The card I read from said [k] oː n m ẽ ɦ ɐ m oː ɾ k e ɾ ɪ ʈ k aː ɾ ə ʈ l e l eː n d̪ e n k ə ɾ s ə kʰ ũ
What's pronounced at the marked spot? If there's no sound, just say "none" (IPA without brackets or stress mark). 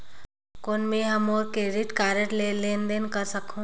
k